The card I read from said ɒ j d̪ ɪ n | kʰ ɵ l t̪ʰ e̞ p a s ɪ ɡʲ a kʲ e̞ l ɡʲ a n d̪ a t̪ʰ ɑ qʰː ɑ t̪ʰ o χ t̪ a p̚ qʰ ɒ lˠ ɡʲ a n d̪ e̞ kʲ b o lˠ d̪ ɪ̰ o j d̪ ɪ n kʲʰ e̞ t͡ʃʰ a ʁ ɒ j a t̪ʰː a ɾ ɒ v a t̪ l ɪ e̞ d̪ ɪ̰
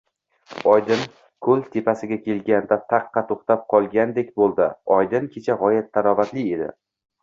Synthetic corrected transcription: ɒ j d̪ ɪ n | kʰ ɵ l t̪ʰ e̞ p a s ɪ ɡʲ a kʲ e̞ l ɡʲ a n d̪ a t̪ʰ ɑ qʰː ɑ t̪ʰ o χ t̪ a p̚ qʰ ɒ lˠ ɡʲ a n d̪ e̞ kʲ b o lˠ d̪ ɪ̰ ɒ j d̪ ɪ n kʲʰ e̞ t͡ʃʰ a ʁ ɒ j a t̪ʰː a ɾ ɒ v a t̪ l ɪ e̞ d̪ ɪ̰

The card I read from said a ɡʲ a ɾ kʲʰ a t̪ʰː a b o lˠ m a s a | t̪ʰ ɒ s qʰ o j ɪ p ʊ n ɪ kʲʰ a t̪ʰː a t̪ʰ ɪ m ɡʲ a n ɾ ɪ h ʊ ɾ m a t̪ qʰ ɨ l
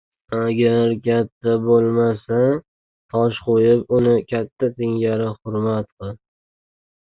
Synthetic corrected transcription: a ɡʲ a ɾ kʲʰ a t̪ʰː a b o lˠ m a s a | t̪ʰ ɒ ʃ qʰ o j ɪ p ʊ n ɪ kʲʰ a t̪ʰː a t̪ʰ ɪ ŋ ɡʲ a ɾ ɪ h ʊ ɾ m a t̪ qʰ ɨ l

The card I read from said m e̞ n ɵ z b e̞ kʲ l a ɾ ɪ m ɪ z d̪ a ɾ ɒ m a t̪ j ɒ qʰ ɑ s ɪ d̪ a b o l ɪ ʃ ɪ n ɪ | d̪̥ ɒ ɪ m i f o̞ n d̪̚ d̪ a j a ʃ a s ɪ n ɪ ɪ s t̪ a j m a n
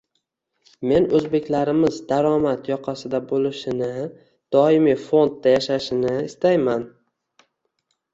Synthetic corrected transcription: m e̞ n ɵ z b e̞ kʲ l a ɾ ɪ m ɪ z d̪ a ɾ ɒ m a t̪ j ɒ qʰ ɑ s ɪ d̪ a b o l ɪ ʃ ɪ n ɪ | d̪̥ ɒ ɪ m i f o̞ n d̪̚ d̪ a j a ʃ a ʃ ɪ n ɪ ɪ s t̪ a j m a n

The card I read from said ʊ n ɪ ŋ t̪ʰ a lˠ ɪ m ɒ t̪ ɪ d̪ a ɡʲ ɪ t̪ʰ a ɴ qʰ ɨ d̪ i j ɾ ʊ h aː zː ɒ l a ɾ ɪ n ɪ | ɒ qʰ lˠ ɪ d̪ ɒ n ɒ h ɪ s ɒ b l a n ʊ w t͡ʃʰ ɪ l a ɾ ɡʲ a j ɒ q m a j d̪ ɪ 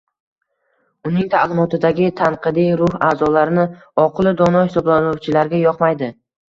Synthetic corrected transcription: ʊ n ɪ ŋ t̪ʰ a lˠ ɪ m ɒ t̪ ɪ d̪ a ɡʲ ɪ t̪ʰ a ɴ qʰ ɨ d̪ i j ɾ ʊ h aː z ɒ l a ɾ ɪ n ɪ | ɒ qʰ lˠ ɪ d̪ ɒ n ɒ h ɪ s ɒ b l a n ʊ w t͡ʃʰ ɪ l a ɾ ɡʲ a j ɒ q m a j d̪ ɪ

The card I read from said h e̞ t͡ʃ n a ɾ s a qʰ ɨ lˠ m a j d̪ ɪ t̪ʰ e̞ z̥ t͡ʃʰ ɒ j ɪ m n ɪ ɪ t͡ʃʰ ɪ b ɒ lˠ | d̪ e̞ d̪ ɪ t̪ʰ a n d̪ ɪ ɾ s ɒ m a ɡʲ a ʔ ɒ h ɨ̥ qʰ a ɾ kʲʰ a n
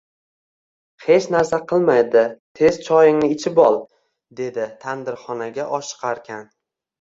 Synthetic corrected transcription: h e̞ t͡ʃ n a ɾ s a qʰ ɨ lˠ m a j d̪ ɪ t̪ʰ e̞ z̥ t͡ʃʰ ɒ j ɪ ŋ n ɪ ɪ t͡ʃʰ ɪ b ɒ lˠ | d̪ e̞ d̪ ɪ t̪ʰ a n d̪ ɪ ɾ χ ɒ n a ɡʲ a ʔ ɒ ʃ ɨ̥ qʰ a ɾ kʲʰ a n

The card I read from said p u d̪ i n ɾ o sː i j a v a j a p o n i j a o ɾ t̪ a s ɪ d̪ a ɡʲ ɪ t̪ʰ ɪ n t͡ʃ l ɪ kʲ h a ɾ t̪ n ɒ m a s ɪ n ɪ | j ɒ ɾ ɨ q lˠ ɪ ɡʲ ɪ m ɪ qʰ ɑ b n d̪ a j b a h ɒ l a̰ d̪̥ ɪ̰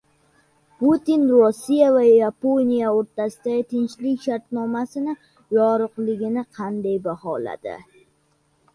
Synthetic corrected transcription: p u t̪ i n ɾ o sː i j a v a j a p o n i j a o ɾ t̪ a s ɪ d̪ a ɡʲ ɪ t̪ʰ ɪ n t͡ʃ l ɪ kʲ ʃ a ɾ t̪ n ɒ m a s ɪ n ɪ | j ɒ ɾ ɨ q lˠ ɪ ɡʲ ɪ n ɪ qʰ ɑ n d̪ a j b a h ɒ l a̰ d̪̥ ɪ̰

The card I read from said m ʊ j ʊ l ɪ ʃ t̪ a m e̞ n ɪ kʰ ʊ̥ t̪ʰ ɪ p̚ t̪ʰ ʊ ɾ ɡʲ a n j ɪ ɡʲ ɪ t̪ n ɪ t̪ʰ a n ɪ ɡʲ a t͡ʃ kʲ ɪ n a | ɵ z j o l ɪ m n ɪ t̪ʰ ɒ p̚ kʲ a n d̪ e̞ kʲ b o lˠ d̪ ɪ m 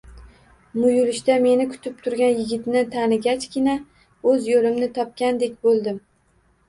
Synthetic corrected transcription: m ʊ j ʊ l ɪ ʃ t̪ a m e̞ n ɪ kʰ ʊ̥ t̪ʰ ɪ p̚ t̪ʰ ʊ ɾ ɡʲ a n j ɪ ɡʲ ɪ t̪ n ɪ t̪ʰ a n ɪ ɡʲ a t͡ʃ kʲ ɪ n a | ɵ z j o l ɪ m n ɪ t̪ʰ ɒ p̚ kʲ a n d̪ e̞ kʲ b o lˠ d̪ ɪ m

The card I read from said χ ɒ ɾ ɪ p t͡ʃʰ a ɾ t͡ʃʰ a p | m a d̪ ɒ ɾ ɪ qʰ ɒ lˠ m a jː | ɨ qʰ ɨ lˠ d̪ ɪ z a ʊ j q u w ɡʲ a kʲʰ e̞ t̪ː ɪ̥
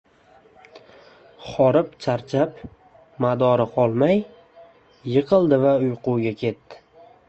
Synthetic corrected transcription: χ ɒ ɾ ɪ p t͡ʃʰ a ɾ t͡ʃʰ a p | m a d̪ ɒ ɾ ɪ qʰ ɒ lˠ m a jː | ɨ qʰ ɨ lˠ d̪ ɪ v a ʊ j q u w ɡʲ a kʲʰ e̞ t̪ː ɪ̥

